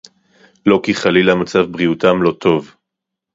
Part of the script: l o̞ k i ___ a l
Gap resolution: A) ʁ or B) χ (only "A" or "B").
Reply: B